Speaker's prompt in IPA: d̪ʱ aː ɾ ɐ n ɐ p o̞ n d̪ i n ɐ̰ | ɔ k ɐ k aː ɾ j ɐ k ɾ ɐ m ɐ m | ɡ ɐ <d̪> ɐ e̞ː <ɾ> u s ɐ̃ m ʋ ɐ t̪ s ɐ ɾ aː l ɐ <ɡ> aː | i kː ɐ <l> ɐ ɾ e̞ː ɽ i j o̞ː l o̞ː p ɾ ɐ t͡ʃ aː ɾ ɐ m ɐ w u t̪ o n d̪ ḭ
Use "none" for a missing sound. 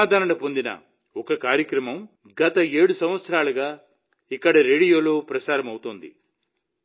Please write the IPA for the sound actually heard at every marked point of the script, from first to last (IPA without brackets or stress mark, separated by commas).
t̪, ɽ, ɡ, ɽ